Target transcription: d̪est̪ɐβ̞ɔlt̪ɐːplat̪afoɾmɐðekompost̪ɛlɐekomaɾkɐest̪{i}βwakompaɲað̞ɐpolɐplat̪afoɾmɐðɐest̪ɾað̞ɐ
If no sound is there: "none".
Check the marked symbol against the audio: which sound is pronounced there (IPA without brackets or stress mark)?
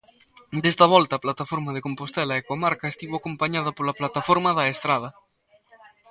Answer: i